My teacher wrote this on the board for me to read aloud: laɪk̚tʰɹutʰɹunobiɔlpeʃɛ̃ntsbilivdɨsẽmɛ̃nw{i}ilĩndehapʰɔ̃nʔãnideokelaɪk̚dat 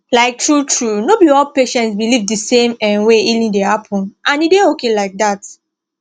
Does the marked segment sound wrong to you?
yes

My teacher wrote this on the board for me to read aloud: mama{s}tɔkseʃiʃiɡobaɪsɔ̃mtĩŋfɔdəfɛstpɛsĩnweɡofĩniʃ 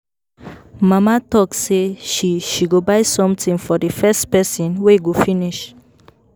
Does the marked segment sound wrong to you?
yes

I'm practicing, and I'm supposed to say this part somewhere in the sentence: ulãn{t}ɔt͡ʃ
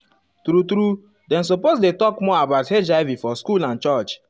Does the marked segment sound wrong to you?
yes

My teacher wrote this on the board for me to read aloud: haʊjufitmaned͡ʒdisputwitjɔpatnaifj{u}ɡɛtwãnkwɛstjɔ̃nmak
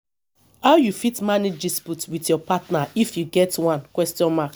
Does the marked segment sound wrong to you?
no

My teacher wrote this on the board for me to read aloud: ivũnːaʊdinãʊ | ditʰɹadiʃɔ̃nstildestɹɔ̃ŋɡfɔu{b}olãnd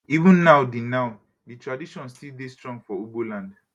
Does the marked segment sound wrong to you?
no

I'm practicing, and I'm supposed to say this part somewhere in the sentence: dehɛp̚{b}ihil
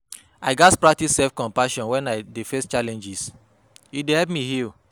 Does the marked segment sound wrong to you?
yes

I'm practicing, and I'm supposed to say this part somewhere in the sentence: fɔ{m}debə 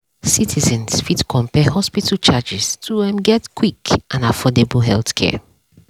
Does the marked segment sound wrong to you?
yes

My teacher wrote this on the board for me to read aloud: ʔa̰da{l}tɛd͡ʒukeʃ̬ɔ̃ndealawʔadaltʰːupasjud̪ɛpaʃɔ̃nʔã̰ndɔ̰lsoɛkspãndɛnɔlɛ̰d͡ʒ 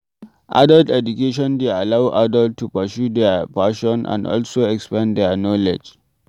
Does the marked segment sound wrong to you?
no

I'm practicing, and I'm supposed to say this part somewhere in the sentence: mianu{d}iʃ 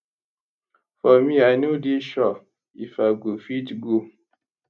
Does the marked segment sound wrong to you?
no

